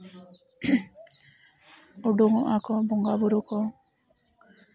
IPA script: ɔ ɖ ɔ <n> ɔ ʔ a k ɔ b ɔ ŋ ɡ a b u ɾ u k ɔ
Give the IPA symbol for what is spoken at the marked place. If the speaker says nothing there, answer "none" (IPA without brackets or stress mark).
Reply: ŋ